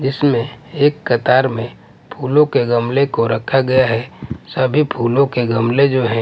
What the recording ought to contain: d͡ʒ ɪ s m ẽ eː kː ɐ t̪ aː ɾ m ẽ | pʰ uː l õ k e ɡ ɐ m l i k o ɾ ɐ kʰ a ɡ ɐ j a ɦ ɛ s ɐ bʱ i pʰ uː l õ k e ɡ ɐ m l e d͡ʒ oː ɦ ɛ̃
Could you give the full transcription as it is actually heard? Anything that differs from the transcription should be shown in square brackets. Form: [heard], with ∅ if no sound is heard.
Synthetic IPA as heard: d͡ʒ ɪ s m ẽ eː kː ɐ t̪ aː ɾ m ẽ | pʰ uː l õ k e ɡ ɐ m l [e] k o ɾ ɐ kʰ a ɡ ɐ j a ɦ ɛ s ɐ bʱ i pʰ uː l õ k e ɡ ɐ m l e d͡ʒ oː ɦ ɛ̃